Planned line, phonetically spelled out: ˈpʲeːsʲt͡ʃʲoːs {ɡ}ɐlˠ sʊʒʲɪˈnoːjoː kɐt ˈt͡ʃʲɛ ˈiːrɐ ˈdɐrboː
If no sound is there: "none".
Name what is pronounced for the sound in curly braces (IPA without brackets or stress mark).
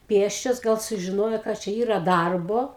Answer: ɡ